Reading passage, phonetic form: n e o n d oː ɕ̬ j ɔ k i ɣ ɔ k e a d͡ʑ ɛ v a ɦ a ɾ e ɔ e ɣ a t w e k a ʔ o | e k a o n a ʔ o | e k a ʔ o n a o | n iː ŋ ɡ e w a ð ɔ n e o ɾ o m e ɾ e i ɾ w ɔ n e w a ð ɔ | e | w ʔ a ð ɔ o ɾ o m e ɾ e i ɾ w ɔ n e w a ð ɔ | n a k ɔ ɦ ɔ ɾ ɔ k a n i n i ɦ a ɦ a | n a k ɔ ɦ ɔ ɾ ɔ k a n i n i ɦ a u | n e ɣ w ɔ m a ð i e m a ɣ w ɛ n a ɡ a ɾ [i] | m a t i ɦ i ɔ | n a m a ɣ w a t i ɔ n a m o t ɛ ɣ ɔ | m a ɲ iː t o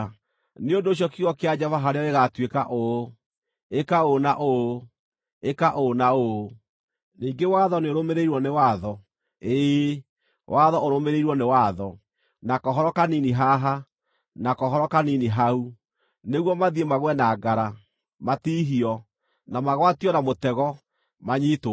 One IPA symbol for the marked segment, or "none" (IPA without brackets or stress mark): a